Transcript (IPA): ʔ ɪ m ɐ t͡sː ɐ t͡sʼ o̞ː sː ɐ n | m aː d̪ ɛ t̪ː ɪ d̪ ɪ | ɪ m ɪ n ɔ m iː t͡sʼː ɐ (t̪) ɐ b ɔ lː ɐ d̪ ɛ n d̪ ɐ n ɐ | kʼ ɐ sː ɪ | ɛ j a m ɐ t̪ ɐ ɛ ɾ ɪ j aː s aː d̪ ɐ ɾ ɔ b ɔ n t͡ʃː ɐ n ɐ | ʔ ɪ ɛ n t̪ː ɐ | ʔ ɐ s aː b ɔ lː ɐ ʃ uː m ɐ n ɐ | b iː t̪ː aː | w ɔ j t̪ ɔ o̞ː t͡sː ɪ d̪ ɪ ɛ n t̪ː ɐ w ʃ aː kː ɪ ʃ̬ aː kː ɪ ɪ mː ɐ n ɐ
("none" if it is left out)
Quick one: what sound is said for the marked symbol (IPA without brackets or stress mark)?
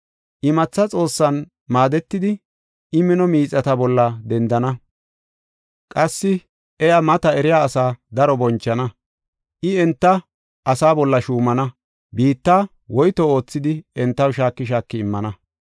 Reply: t̪